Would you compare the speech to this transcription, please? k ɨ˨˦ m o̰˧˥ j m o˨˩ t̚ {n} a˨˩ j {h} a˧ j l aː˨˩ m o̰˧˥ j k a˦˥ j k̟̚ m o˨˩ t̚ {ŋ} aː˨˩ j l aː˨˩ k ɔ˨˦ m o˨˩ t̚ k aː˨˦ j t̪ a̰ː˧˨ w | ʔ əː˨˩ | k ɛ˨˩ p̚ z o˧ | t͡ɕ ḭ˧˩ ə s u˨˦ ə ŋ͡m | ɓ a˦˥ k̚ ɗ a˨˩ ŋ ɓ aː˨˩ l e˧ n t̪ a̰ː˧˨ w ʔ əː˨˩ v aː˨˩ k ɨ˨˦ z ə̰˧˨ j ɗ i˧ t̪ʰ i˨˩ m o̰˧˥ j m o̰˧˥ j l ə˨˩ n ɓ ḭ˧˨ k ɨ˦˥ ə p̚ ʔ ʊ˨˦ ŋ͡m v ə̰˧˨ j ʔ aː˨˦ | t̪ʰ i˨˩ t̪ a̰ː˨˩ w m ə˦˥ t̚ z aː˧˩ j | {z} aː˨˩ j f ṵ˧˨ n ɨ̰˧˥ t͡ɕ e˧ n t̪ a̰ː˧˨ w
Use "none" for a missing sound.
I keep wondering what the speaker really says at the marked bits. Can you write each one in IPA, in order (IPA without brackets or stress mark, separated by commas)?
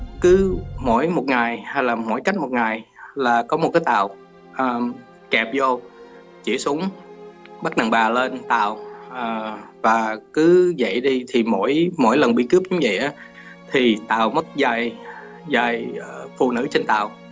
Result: ŋ, h, ŋ, z